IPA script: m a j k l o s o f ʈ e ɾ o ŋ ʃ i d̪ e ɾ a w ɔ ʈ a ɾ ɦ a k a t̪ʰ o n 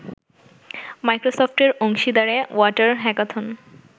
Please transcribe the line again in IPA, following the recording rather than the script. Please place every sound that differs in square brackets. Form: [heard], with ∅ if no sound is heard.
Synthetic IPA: m a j k [ɾ] o s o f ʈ e ɾ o ŋ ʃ i d̪ [a] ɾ [e] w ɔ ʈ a ɾ ɦ [ɛ] k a t̪ʰ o n